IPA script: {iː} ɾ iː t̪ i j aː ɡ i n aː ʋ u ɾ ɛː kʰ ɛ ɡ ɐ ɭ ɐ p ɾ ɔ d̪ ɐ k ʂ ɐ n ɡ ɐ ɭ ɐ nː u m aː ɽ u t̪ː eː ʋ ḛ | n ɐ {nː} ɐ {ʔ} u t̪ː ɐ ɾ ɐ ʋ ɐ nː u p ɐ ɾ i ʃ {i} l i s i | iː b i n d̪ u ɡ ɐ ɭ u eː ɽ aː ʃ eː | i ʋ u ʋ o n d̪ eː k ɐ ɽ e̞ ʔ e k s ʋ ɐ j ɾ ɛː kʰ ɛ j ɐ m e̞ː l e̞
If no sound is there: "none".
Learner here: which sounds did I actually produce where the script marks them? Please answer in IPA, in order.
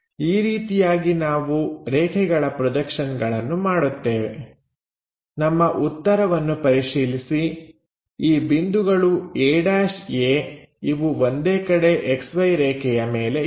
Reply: iː, mː, ʔ, iː

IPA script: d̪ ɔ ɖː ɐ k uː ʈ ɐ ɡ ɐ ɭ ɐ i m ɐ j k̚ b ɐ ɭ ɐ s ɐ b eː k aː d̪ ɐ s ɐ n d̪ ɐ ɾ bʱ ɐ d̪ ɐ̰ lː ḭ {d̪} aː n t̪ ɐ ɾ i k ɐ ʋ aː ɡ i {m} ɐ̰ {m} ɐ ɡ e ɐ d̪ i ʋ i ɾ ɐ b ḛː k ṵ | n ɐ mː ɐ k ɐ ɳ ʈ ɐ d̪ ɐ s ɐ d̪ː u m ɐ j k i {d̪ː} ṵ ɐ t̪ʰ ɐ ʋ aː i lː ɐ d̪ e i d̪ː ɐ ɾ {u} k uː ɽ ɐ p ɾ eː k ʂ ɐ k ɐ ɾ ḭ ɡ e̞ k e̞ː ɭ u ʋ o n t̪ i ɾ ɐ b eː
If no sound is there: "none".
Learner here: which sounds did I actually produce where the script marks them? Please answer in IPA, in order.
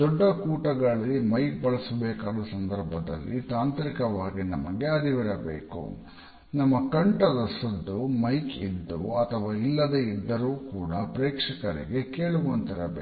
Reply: t̪, n, m, d̪ː, uː

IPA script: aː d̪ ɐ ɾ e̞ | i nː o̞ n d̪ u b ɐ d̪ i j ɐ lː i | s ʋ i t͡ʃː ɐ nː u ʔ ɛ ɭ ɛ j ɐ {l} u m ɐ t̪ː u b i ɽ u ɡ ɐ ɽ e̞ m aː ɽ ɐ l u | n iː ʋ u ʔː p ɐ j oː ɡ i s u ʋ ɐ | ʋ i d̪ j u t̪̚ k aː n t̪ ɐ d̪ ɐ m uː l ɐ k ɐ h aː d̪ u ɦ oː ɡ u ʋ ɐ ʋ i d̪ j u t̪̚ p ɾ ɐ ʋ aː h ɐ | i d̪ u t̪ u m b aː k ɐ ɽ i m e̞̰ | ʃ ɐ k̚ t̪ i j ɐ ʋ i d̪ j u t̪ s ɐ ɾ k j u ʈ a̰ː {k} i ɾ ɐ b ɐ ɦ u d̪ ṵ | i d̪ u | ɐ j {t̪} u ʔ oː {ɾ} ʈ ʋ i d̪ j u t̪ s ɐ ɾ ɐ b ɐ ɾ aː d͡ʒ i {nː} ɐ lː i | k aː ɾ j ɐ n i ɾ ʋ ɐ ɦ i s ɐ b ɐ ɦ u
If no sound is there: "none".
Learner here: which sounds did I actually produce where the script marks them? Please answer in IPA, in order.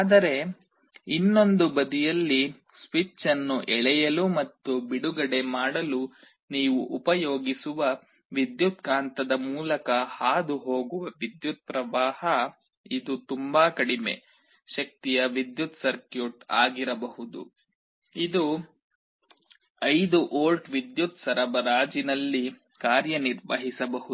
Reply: l, ɡ, d̪, l, n

